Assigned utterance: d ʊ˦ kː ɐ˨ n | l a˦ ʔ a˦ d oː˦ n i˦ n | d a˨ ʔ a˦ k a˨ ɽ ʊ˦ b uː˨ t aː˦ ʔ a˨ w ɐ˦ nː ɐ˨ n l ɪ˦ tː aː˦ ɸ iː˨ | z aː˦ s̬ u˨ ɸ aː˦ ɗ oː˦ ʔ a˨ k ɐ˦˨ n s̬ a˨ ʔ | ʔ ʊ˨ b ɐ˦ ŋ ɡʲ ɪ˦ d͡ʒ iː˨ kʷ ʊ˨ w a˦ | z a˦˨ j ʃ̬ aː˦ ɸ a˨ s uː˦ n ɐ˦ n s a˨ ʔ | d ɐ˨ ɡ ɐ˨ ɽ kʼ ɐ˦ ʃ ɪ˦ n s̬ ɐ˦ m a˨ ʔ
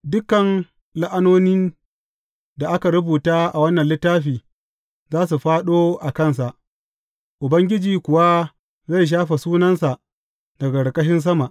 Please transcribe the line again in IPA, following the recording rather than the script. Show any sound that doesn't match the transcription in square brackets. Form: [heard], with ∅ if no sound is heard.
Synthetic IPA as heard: d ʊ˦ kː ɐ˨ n | l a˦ ʔ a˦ [n] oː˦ n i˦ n | d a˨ ʔ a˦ k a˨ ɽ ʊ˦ b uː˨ t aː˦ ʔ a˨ w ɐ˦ nː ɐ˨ n l ɪ˦ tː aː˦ ɸ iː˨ | z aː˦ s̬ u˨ ɸ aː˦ ɗ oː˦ ʔ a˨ k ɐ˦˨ n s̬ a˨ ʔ | ʔ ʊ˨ b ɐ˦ ŋ ɡʲ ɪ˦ d͡ʒ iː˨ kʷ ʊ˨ w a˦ | z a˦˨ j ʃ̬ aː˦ ɸ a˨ s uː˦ n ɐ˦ n s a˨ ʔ | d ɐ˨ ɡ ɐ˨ ɽ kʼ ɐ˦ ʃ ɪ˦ n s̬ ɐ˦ m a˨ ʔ